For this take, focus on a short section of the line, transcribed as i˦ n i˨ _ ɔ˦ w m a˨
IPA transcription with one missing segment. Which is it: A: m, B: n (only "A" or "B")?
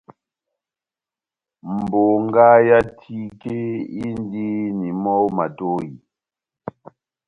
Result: A